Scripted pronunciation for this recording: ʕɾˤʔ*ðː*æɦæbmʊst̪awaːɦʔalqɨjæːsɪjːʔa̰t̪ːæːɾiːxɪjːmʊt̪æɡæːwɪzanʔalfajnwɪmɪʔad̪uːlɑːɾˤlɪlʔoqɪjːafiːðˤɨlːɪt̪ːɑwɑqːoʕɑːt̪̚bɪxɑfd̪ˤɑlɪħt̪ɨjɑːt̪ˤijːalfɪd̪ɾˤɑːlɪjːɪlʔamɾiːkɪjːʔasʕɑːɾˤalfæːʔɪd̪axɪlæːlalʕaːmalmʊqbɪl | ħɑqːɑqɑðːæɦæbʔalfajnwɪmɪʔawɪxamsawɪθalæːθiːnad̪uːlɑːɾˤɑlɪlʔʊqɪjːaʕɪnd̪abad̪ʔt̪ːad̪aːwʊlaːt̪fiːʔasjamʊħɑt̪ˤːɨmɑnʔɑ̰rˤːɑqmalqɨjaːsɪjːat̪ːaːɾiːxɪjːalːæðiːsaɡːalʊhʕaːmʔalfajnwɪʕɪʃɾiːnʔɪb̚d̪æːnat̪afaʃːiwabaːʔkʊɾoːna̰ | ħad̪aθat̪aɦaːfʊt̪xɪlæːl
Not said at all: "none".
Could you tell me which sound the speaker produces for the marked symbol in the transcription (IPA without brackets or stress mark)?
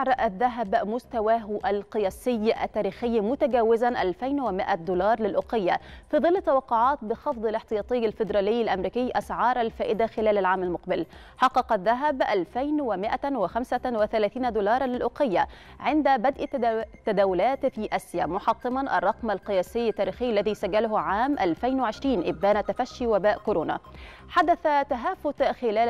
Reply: ðː